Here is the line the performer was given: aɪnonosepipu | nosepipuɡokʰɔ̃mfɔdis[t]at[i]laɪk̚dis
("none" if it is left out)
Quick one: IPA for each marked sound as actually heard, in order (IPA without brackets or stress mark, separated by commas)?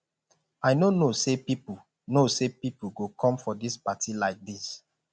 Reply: p, i